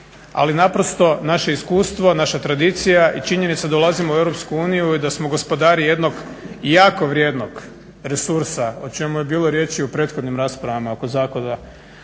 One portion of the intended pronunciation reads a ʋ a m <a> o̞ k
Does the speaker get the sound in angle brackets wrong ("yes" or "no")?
no